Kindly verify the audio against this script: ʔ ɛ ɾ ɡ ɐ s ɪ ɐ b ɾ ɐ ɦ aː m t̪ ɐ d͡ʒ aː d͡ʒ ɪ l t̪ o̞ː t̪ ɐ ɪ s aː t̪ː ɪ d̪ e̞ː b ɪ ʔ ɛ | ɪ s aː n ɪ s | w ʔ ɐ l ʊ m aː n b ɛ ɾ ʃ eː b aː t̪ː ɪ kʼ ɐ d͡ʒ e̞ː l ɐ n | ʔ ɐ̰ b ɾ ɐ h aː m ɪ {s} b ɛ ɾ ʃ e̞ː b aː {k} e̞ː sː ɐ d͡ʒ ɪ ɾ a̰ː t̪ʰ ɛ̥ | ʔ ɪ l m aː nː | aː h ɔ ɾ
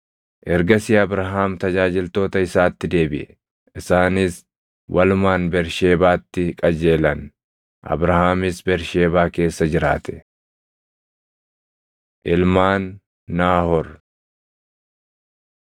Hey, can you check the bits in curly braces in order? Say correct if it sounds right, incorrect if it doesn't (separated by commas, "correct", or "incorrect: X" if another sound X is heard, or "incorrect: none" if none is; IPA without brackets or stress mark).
correct, correct